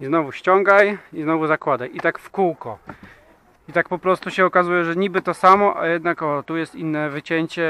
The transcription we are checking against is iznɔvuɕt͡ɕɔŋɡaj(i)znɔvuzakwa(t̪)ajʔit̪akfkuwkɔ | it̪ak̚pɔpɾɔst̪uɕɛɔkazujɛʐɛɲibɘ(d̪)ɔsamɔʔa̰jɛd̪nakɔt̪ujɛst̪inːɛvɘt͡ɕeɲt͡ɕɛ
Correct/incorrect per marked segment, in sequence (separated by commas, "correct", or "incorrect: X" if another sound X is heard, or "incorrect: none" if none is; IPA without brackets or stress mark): correct, incorrect: d̪, incorrect: t̪